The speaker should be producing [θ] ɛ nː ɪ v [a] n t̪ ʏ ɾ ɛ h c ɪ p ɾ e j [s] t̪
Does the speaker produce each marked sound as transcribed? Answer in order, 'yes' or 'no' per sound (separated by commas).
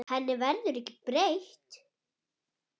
no, no, no